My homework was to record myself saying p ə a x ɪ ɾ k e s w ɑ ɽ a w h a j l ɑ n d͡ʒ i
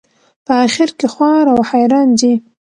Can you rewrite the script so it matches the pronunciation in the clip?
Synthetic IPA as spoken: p ə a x ɪ ɾ k e x w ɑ ɾ a w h a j ɾ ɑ n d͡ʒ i